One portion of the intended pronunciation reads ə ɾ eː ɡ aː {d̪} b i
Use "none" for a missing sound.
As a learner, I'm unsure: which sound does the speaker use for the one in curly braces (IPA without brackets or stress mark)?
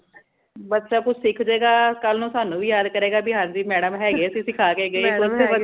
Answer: none